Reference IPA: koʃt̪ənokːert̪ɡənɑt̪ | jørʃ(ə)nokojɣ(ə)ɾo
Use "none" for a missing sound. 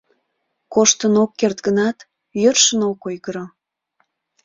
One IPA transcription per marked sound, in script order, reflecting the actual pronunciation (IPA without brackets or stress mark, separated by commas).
ə, ə